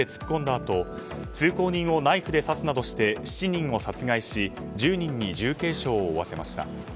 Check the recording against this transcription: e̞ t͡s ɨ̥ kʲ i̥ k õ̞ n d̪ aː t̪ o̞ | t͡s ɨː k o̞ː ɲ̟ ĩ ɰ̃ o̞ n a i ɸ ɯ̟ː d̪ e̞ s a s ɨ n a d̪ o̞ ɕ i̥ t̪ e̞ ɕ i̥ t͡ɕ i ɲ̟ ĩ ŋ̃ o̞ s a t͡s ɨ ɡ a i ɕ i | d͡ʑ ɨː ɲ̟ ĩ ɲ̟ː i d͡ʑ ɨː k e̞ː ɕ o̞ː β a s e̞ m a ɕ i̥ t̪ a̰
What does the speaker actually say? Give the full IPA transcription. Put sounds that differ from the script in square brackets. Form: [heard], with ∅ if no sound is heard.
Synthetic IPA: e̞ t͡s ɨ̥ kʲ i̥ k õ̞ n d̪ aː t̪ o̞ | t͡s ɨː k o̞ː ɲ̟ ĩ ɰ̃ o̞ n a i ɸ [ɯ̟] d̪ e̞ s a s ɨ n a d̪ o̞ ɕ i̥ t̪ e̞ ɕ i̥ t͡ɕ i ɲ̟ ĩ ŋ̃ o̞ s a t͡s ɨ ɡ a i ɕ i | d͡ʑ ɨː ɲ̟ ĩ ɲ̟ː i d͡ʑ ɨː k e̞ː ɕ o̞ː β a s e̞ m a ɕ i̥ t̪ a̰